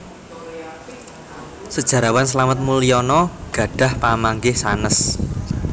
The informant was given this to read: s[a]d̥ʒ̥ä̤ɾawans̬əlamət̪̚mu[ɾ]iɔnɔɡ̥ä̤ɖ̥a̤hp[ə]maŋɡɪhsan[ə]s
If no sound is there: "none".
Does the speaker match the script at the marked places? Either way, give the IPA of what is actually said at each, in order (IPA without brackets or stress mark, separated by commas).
ə, l, a, ə